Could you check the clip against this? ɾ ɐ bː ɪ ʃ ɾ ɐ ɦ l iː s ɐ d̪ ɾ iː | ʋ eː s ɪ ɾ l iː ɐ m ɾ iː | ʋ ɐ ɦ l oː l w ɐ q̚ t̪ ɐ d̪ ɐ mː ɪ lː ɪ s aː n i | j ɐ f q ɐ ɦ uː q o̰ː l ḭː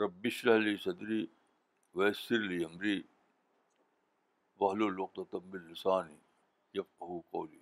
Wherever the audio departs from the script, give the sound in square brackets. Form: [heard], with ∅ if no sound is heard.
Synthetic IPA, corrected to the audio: ɾ ɐ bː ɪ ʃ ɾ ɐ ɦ l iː s ɐ d̪ ɾ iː | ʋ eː s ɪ ɾ l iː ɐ m ɾ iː | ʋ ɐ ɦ l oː l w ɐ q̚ t̪ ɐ [t̪] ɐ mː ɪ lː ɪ s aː n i | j ɐ f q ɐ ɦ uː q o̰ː l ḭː